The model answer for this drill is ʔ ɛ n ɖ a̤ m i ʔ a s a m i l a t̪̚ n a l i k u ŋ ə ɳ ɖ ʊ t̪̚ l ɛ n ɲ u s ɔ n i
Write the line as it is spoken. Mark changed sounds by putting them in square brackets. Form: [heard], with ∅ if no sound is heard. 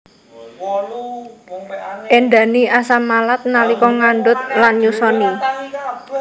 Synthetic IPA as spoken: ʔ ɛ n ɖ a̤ [n] i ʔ a s a m [a] l a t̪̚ n a l i k [ɔ] ŋ [a] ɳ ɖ ʊ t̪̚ l [a] n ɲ u s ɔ n i

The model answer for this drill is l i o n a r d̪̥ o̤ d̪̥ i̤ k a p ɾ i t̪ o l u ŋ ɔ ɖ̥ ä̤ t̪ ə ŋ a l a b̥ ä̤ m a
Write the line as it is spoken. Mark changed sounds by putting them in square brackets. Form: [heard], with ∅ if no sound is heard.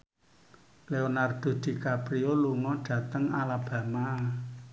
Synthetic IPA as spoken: l [e] o n a r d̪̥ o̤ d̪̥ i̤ k a p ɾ i [∅] o l u ŋ ɔ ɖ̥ ä̤ t̪ ə ŋ a l a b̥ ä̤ m a

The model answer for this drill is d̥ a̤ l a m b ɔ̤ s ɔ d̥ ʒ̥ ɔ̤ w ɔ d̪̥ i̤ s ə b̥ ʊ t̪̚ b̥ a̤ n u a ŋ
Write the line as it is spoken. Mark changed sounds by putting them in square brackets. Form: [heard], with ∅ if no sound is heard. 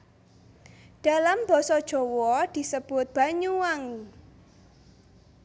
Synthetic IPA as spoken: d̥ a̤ l a m b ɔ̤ s ɔ d̥ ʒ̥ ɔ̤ w ɔ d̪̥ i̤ s ə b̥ ʊ t̪̚ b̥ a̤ [ɲ] u a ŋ

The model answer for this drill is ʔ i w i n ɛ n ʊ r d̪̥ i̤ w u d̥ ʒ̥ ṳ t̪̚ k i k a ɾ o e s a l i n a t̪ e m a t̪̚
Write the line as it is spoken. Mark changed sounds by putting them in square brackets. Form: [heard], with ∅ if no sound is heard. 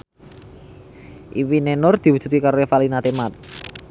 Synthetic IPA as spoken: ʔ i w i n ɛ n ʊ r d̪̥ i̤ w u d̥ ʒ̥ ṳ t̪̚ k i k a ɾ o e [f] a l i n a t̪ e m a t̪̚

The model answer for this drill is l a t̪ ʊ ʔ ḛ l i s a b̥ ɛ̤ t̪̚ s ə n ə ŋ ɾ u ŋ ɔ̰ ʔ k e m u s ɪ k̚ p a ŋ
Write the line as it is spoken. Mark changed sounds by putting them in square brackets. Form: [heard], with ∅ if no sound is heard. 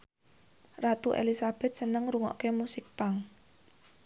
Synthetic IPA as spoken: [r] a t̪ [u] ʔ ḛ l i s a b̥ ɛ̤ t̪̚ s ə n ə ŋ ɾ u ŋ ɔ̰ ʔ k e m u s ɪ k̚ p a ŋ

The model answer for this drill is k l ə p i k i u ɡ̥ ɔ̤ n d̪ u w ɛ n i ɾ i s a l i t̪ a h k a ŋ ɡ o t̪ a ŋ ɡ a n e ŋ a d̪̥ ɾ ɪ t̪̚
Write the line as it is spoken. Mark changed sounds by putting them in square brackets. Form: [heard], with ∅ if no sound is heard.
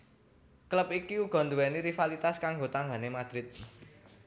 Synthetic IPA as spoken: k l ə p i k i u ɡ̥ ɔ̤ n d̪ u w ɛ n i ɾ i [f] a l i t̪ a [s] k a ŋ ɡ o t̪ a ŋ ɡ a n e [m] a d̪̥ ɾ ɪ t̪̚

